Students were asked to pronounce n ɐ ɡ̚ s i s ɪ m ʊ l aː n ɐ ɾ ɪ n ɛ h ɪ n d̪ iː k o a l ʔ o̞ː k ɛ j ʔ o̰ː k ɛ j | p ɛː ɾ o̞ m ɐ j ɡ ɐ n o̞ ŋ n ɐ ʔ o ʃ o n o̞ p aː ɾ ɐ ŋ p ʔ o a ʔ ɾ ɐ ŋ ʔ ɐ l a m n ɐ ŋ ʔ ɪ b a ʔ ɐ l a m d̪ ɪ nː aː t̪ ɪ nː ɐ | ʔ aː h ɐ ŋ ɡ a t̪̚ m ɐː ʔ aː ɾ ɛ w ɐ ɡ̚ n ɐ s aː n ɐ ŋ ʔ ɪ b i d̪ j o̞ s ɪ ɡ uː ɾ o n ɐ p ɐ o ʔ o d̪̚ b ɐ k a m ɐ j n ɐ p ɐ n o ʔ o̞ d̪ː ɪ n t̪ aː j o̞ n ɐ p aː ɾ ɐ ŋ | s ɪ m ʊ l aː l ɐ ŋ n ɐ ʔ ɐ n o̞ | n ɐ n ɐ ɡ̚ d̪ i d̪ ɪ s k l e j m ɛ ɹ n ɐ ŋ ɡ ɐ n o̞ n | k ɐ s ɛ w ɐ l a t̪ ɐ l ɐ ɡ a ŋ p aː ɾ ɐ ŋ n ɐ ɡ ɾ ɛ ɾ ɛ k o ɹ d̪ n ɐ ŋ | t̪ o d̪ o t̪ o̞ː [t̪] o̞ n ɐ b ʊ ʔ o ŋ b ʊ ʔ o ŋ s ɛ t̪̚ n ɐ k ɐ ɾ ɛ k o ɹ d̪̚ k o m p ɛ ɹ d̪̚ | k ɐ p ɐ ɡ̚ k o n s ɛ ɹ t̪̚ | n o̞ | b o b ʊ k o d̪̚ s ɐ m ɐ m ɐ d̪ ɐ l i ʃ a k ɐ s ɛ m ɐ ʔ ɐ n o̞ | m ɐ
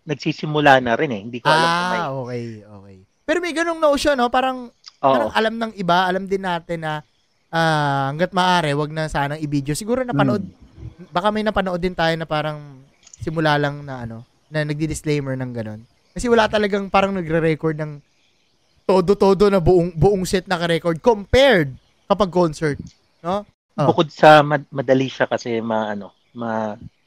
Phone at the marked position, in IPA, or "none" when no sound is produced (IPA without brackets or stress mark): d̪